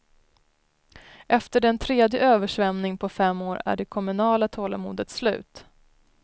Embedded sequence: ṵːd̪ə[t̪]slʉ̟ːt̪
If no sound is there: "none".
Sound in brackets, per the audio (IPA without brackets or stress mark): t̪